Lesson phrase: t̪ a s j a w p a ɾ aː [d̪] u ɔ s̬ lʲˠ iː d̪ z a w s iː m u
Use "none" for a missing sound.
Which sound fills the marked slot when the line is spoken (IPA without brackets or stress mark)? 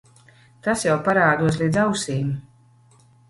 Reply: d̪